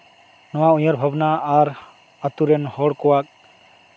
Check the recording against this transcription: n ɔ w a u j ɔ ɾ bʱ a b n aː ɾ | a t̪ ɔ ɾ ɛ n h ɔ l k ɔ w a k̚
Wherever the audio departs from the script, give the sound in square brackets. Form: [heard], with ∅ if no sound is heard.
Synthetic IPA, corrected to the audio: n ɔ w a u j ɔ ɾ bʱ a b n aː ɾ | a t̪ [u] ɾ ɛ n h ɔ [ɽ] k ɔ w a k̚